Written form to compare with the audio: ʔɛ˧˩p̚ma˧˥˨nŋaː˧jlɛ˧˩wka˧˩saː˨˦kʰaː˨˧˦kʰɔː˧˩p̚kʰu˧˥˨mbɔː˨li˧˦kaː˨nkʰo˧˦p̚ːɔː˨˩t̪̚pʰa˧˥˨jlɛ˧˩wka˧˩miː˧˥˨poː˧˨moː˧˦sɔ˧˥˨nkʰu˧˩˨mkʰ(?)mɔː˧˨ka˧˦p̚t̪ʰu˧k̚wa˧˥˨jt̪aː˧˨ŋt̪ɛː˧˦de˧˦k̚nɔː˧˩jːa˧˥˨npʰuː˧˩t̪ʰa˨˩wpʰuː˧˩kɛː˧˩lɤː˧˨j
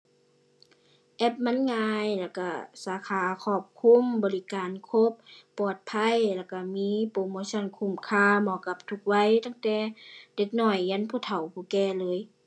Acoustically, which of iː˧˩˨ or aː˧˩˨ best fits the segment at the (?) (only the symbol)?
aː˧˩˨